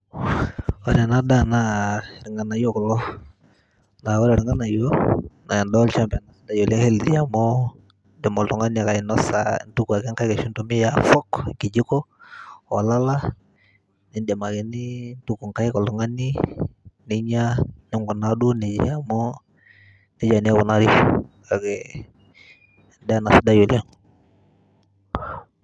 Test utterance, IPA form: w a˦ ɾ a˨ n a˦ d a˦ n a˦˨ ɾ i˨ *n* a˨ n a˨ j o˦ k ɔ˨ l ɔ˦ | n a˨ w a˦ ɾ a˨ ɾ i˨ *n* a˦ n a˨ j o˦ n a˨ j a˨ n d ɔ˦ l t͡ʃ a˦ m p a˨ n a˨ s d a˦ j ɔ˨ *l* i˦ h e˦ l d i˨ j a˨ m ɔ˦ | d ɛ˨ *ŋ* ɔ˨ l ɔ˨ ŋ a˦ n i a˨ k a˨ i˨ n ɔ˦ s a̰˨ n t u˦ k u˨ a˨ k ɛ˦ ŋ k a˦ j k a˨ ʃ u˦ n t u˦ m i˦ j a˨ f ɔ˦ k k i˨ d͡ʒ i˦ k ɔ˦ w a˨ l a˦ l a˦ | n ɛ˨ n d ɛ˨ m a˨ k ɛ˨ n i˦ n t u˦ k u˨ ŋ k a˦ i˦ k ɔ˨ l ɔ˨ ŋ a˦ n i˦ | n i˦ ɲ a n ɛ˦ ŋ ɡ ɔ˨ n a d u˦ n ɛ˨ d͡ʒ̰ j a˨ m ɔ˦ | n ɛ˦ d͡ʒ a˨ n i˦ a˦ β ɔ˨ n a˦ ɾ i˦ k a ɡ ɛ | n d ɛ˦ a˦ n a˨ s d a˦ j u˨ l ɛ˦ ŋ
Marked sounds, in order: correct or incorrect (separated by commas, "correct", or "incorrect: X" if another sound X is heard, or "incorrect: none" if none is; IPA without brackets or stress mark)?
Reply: incorrect: ŋ, incorrect: ŋ, correct, incorrect: m